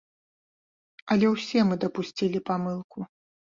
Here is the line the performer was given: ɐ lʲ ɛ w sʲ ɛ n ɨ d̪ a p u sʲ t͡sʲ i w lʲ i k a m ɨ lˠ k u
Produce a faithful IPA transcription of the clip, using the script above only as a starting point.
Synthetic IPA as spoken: ɐ lʲ ɛ w sʲ ɛ m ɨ d̪ ɐ p u sʲ t͡sʲ i lʲ i p a m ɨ lˠ k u